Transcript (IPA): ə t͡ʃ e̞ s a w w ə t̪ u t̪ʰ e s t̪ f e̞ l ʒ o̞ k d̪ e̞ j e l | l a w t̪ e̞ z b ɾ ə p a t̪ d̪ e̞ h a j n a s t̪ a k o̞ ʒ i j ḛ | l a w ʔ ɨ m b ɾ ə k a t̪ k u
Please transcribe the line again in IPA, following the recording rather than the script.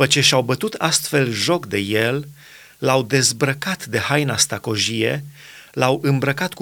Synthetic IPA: ə t͡ʃ e̞ ʃ a w b ə t̪ u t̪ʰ a s t̪ f e̞ l ʒ o̞ k d̪ e̞ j e l | l a w d̪ e̞ z b ɾ ə k a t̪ d̪ e̞ h a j n a s t̪ a k o̞ ʒ i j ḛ | l a w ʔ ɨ m b ɾ ə k a t̪ k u